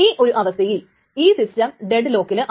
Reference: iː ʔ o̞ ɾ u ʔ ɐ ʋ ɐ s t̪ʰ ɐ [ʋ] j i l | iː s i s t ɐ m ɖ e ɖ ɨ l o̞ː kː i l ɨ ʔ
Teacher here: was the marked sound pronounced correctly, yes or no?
no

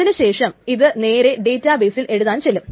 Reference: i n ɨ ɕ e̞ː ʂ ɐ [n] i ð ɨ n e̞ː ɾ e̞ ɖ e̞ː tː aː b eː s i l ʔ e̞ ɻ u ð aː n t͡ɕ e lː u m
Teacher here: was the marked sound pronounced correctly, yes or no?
no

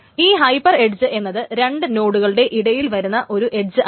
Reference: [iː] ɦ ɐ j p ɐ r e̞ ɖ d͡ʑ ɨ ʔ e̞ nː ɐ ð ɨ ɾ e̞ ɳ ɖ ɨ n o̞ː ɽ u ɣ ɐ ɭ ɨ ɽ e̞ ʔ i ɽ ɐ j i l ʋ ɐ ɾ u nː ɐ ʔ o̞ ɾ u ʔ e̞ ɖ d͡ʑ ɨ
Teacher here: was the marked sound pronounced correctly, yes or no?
yes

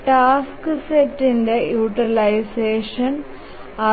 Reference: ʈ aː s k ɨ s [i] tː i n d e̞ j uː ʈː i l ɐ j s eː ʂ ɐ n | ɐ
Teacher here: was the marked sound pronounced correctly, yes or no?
no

